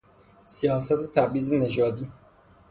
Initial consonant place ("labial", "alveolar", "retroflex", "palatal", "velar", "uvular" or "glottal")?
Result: alveolar